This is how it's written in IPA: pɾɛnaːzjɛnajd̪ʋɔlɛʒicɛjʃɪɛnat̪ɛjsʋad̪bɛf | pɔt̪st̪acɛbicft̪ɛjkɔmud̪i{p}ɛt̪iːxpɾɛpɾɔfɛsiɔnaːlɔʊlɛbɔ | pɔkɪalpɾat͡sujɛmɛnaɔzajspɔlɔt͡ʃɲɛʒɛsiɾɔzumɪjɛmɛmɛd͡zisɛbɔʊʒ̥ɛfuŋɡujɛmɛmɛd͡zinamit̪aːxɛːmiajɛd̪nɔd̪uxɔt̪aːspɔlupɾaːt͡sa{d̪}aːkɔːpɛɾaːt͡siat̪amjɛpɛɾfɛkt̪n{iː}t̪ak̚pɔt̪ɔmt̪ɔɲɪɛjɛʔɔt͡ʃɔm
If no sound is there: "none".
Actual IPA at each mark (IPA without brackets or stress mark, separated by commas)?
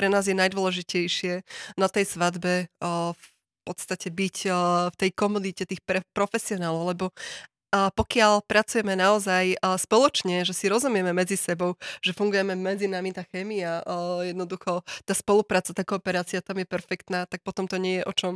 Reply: c, t̪, aː